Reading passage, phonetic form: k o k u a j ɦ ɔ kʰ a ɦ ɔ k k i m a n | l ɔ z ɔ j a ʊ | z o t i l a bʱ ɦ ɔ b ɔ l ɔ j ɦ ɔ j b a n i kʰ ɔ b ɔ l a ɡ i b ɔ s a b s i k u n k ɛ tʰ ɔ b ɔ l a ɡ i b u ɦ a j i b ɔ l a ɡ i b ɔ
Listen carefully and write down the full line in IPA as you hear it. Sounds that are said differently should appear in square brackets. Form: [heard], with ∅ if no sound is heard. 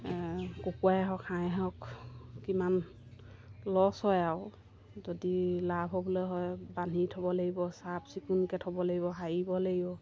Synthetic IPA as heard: k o k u a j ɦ ɔ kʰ a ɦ ɔ k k i m a n | l ɔ [s] ɔ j a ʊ | z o [d] i l a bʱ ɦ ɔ b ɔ l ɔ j ɦ ɔ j b a n i [tʰ] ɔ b ɔ l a ɡ i b ɔ s a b s i k u n k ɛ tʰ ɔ b ɔ l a ɡ i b [ɔ] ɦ a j i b ɔ l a ɡ i b ɔ